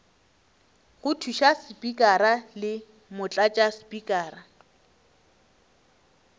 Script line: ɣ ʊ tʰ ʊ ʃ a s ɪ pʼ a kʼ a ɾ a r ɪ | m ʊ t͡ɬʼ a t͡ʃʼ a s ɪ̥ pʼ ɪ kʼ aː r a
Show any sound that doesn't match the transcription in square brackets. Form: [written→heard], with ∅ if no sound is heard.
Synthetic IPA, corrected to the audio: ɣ ʊ tʰ [ʊ→u] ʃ a s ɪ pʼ [a→i] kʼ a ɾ a [r→l] ɪ | m ʊ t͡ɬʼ a t͡ʃʼ a s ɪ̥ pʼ [ɪ→i] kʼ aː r a